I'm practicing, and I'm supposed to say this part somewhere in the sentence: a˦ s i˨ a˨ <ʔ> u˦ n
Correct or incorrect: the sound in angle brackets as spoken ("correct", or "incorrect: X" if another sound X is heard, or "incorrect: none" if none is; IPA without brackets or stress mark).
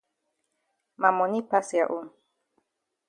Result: correct